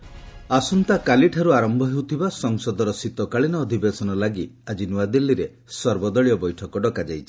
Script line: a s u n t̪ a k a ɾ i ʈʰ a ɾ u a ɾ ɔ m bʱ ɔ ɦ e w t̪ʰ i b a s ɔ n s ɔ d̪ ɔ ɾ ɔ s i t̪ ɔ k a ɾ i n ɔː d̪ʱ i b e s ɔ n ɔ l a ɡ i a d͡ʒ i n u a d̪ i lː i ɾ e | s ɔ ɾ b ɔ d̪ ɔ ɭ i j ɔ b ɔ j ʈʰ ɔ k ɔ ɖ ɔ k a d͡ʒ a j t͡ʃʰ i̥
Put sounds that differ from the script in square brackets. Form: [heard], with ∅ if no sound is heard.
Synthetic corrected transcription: a s u n t̪ a k a [l] i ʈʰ a ɾ u a ɾ ɔ m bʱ ɔ ɦ e w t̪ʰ i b a s ɔ [ŋ] s ɔ d̪ ɔ ɾ ɔ s i t̪ ɔ k a [ɭ] i n ɔː d̪ʱ i b e s ɔ n ɔ l a ɡ i a d͡ʒ i n u a d̪ i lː i ɾ e | s ɔ ɾ b ɔ d̪ ɔ ɭ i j ɔ b ɔ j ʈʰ ɔ k ɔ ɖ ɔ k a d͡ʒ a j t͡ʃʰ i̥